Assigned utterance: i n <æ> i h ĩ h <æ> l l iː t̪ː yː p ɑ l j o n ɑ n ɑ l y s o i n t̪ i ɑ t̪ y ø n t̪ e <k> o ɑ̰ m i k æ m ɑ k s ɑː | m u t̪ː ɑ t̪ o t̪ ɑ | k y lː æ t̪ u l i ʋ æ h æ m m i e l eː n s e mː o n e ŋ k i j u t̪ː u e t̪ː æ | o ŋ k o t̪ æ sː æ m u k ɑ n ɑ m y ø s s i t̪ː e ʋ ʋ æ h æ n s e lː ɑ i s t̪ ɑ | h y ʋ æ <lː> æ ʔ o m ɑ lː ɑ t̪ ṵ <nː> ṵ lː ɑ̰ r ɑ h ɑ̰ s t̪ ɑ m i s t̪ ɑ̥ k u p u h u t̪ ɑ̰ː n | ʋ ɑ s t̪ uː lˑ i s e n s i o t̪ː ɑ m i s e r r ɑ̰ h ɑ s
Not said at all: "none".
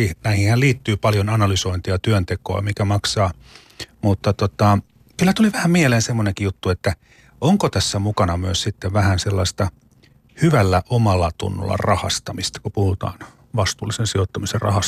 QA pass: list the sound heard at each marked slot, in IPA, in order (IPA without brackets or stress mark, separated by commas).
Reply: æ, æ, k, lː, nː